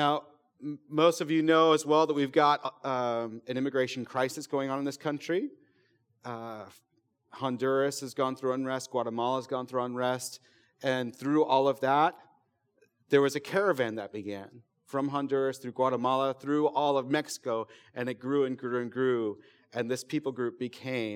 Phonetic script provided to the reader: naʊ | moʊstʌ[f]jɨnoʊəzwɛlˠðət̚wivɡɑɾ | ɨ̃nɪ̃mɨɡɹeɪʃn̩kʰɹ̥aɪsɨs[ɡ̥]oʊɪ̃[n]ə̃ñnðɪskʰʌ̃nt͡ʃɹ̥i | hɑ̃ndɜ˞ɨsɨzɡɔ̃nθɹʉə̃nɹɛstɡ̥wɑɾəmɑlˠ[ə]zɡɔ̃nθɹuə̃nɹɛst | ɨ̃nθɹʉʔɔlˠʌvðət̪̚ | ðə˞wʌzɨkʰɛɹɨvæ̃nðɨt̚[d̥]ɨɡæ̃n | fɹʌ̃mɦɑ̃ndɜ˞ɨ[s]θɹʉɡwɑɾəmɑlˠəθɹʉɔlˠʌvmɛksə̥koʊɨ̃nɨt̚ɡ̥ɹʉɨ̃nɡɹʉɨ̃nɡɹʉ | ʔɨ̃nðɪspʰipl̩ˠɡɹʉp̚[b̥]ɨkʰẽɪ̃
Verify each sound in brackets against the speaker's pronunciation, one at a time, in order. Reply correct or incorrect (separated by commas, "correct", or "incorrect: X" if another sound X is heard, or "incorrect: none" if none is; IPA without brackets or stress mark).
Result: incorrect: v, correct, incorrect: ŋ, correct, incorrect: b̥, correct, correct